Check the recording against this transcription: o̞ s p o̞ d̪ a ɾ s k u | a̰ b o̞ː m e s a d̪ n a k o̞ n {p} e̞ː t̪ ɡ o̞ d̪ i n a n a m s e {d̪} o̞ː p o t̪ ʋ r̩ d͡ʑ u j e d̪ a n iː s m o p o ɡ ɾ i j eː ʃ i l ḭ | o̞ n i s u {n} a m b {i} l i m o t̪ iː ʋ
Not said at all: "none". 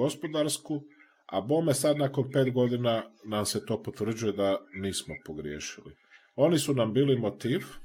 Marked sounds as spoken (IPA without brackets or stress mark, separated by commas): p, t̪, n, iː